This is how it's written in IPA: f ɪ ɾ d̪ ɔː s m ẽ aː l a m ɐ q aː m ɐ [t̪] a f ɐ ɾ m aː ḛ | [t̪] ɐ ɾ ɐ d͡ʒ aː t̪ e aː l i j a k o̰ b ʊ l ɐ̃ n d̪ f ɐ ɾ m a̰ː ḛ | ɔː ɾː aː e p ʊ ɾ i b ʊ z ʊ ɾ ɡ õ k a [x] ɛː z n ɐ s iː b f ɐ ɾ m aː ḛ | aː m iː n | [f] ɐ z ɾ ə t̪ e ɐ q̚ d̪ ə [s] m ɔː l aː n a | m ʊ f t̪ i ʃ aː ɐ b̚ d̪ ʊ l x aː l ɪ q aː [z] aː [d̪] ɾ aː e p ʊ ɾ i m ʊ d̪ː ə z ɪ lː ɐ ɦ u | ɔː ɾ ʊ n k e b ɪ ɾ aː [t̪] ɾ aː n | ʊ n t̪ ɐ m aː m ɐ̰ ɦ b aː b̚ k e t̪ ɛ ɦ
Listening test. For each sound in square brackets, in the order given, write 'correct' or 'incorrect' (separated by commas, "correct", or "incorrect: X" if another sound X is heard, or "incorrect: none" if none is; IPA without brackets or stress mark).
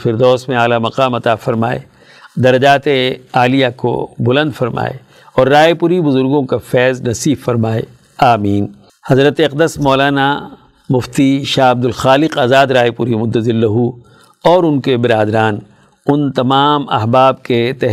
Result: correct, incorrect: d̪, incorrect: f, incorrect: h, correct, correct, correct, incorrect: d̪